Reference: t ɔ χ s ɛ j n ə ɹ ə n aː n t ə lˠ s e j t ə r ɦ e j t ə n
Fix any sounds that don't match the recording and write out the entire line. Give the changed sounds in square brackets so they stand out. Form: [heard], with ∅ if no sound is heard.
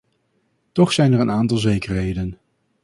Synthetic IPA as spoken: t ɔ χ s ɛ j n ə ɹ ə n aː n t [ɑ] lˠ [z] e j [k] ə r ɦ e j [d] ə n